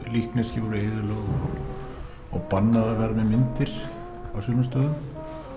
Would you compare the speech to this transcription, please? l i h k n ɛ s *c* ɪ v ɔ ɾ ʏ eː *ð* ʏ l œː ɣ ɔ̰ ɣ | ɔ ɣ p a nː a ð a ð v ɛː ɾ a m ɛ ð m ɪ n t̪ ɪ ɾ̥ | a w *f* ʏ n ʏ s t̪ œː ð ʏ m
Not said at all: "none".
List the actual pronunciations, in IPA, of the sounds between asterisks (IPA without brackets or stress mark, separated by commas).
c, ð, s